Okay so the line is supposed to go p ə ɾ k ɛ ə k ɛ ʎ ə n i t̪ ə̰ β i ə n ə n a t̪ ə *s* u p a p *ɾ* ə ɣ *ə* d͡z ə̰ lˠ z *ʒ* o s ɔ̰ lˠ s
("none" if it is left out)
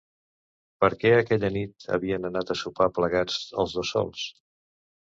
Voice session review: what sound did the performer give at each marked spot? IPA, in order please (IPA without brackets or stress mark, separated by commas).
s, l, a, ð